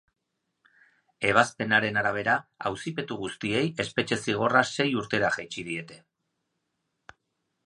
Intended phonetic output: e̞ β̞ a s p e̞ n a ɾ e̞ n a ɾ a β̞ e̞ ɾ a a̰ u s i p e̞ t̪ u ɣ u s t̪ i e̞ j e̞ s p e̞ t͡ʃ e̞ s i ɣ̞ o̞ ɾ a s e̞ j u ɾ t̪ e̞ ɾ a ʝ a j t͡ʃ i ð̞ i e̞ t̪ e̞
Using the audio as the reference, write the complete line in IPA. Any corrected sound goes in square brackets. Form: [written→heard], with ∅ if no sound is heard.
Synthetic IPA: e̞ β̞ a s p e̞ n a ɾ e̞ n a ɾ a β̞ e̞ ɾ a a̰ [u→w] s i p e̞ t̪ u ɣ u s t̪ i e̞ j e̞ s p e̞ t͡ʃ e̞ s i ɣ̞ o̞ [ɾ→r] a s e̞ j u ɾ t̪ e̞ ɾ a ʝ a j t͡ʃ i ð̞ i e̞ t̪ e̞